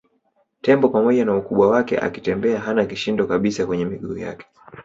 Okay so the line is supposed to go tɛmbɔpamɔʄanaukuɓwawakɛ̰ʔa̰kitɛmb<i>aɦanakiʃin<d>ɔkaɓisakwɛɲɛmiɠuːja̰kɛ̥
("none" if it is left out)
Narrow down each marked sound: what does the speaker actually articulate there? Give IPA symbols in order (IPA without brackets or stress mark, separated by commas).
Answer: ɛ, d